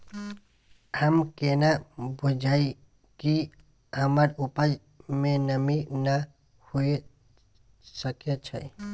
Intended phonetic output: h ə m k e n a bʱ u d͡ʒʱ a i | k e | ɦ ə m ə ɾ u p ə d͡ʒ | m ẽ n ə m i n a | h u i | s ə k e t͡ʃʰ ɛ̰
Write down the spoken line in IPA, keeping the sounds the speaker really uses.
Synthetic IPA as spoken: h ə m k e n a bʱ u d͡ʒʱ a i | k i | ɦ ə m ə ɾ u p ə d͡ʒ | m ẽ n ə m i n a | h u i | s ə k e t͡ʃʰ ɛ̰